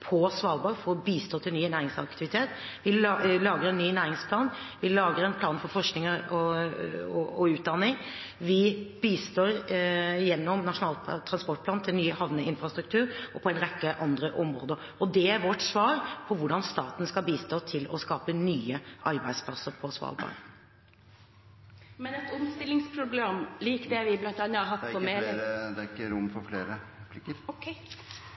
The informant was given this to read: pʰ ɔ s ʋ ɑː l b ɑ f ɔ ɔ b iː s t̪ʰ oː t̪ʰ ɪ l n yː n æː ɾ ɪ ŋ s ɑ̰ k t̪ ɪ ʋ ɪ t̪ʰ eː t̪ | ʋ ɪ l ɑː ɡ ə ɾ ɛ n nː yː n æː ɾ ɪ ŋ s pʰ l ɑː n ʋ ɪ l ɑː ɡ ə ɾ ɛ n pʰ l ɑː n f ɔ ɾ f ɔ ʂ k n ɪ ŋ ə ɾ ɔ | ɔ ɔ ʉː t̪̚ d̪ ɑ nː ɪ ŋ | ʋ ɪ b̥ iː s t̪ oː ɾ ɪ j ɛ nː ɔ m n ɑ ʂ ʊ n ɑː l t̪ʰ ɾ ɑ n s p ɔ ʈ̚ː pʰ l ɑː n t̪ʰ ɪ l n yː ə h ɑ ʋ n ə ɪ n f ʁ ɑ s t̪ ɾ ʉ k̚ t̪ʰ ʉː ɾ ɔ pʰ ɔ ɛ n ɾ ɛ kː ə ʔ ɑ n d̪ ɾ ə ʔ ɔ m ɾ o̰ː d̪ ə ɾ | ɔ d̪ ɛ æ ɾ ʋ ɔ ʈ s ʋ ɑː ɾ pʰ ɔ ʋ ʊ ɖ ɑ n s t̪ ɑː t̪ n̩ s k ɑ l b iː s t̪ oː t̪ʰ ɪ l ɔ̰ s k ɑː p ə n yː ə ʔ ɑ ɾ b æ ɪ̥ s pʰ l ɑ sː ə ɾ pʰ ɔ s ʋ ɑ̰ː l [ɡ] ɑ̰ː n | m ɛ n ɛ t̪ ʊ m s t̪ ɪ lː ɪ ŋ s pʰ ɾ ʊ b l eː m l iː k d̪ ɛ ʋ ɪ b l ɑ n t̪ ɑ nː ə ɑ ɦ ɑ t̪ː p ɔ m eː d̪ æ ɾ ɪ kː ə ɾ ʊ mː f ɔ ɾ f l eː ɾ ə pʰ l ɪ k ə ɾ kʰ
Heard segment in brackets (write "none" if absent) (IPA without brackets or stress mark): b